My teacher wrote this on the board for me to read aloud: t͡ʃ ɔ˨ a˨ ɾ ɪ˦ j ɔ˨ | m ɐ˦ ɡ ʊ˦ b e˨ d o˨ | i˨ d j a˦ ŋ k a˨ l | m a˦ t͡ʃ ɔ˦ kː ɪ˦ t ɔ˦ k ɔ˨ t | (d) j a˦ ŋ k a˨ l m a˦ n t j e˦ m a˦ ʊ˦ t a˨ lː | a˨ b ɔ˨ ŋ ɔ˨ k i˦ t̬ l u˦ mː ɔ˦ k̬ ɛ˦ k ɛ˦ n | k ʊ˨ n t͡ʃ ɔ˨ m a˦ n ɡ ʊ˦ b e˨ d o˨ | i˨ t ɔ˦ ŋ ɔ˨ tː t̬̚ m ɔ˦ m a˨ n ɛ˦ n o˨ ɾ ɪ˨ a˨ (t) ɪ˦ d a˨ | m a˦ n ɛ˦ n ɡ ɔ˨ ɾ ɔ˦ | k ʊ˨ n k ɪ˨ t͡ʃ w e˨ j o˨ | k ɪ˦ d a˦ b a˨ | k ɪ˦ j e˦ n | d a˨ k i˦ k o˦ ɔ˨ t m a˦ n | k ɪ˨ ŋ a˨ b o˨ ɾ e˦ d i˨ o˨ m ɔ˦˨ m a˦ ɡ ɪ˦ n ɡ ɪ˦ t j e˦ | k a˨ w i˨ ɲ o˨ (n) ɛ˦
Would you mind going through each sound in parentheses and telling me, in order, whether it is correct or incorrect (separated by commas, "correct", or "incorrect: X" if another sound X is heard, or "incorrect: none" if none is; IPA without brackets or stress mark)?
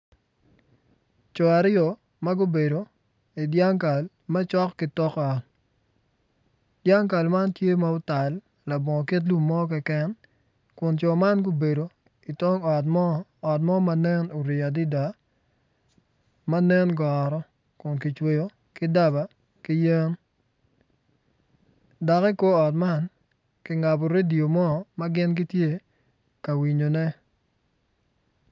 correct, incorrect: d, correct